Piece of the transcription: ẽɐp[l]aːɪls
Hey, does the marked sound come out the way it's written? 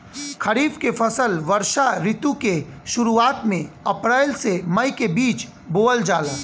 no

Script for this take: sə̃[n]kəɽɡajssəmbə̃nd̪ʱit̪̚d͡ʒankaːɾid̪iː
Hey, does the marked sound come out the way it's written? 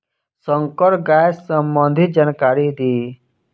no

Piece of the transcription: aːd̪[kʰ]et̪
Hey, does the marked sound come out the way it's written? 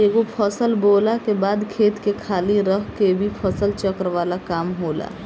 yes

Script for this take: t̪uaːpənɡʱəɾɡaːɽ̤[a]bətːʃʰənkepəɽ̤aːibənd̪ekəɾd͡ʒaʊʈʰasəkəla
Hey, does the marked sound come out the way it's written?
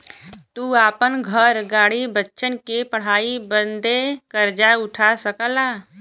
no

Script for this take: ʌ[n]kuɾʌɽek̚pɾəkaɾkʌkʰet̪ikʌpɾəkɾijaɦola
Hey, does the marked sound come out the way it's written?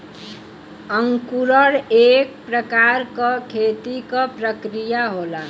no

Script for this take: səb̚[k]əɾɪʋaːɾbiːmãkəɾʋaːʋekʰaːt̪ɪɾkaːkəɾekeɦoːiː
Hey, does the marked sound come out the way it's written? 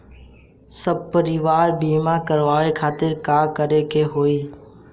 no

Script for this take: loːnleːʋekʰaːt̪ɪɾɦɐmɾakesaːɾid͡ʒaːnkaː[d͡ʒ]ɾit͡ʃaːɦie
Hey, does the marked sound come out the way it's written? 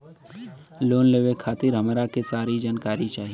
no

